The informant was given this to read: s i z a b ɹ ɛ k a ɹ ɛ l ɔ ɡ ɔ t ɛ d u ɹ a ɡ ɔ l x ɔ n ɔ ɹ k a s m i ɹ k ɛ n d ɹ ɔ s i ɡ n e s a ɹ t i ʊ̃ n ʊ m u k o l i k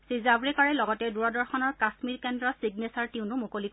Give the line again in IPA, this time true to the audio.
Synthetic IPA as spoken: s i z a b ɹ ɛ k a ɹ ɛ l ɔ ɡ ɔ t ɛ d u ɹ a d ɔ ɹ x ɔ n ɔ ɹ k a s m i ɹ k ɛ n d ɹ ɔ s i ɡ n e s a ɹ t i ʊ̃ n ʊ m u k o l i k